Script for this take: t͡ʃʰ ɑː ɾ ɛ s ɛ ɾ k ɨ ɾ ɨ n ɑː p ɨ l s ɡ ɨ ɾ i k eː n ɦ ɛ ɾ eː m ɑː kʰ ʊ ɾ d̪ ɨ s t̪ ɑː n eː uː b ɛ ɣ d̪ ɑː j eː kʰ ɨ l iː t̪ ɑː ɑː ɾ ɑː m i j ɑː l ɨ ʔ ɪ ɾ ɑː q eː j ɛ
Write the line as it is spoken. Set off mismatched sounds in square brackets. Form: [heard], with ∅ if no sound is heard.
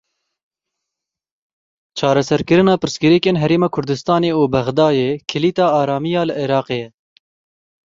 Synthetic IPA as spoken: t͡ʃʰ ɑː ɾ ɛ s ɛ ɾ k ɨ ɾ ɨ n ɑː p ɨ [ɾ] s ɡ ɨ ɾ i k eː n ɦ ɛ ɾ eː m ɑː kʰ ʊ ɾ d̪ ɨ s t̪ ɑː n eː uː b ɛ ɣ d̪ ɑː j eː kʰ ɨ l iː t̪ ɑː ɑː ɾ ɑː m i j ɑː l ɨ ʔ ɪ ɾ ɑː q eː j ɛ